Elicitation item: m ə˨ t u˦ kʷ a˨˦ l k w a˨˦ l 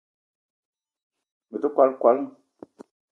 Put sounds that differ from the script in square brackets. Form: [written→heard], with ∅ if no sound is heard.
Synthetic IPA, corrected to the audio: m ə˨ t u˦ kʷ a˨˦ l k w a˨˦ l